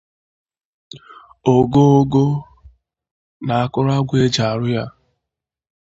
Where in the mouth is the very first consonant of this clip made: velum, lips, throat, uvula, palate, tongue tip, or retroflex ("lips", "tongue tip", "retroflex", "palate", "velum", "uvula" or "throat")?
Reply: velum